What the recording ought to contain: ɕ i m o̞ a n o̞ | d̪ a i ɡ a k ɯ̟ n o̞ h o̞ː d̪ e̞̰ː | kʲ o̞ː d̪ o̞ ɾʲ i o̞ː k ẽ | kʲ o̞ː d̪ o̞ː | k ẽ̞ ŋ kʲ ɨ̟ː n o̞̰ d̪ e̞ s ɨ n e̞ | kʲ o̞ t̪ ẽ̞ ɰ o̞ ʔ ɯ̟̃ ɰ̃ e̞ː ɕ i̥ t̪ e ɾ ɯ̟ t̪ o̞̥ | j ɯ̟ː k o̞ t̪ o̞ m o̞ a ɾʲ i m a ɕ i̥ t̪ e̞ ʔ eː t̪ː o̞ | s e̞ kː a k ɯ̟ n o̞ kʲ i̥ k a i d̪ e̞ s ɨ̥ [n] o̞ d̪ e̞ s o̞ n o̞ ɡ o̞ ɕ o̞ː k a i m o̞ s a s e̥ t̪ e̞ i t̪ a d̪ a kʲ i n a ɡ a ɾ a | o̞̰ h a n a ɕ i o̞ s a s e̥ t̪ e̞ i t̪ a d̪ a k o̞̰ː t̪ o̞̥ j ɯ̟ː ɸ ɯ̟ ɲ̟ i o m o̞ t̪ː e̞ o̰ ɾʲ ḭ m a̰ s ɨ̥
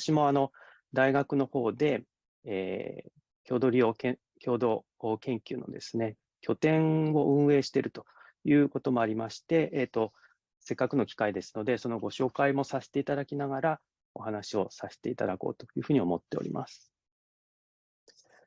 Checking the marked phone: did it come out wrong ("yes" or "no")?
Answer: no